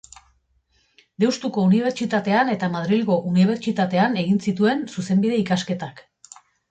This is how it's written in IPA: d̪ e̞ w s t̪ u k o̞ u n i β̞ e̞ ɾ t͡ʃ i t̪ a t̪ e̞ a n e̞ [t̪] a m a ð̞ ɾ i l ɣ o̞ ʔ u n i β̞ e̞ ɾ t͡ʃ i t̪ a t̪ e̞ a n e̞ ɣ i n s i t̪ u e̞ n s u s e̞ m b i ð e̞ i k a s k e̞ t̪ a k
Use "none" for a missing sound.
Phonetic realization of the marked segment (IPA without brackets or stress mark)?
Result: t̪